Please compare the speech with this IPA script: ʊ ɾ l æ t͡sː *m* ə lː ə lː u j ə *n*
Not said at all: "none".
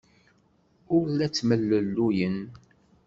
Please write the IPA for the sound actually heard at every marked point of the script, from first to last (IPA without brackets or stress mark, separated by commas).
m, n